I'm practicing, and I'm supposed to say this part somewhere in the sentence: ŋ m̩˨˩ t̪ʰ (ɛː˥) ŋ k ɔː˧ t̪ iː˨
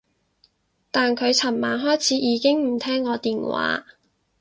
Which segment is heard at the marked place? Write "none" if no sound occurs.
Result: ɛː˥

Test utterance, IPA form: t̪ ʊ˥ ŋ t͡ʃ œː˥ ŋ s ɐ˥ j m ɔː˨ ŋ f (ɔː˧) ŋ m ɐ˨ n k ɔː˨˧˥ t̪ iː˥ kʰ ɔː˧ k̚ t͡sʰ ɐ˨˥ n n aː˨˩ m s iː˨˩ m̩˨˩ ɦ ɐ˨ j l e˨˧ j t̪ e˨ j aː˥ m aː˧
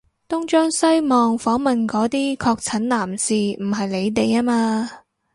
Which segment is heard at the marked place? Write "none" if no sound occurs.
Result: ɔː˨˥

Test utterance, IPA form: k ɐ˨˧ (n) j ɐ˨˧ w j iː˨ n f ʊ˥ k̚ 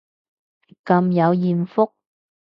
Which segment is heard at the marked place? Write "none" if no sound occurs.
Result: m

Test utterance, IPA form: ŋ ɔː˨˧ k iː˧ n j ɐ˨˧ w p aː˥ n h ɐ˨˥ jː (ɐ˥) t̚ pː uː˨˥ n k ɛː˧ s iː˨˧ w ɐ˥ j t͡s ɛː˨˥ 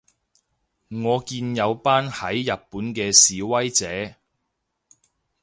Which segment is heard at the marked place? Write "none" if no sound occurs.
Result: ɐ˨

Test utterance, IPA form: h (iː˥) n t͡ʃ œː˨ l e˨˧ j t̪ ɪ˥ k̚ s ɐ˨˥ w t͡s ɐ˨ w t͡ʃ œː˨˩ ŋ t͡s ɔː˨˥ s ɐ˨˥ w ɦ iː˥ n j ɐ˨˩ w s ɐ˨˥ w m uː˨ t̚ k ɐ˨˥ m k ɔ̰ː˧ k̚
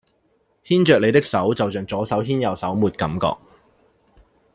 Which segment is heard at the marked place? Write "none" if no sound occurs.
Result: iː˥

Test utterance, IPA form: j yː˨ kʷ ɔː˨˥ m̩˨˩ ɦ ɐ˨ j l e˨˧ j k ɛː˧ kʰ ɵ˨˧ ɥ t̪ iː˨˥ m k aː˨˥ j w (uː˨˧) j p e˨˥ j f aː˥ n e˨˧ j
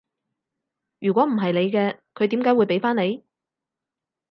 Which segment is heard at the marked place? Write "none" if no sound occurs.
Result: u˨˧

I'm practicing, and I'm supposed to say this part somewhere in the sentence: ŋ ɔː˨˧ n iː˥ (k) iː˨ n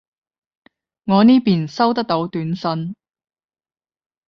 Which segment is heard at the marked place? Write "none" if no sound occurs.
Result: p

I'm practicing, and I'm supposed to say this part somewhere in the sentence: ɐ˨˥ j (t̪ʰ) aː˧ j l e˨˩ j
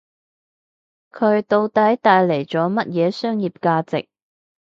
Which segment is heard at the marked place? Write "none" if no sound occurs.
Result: t̪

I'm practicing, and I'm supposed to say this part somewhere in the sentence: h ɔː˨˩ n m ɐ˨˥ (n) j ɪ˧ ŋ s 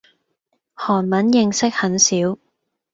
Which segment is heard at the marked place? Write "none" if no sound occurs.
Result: n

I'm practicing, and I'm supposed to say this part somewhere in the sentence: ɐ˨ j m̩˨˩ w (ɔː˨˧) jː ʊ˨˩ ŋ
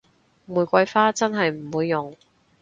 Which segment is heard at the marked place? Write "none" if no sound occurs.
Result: uː˨˧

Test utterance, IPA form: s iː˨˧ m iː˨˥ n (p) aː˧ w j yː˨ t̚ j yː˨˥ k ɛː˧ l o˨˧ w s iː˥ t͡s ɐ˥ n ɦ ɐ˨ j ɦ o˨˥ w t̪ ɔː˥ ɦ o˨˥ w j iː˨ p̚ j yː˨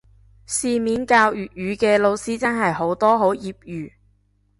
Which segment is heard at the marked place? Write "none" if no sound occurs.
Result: k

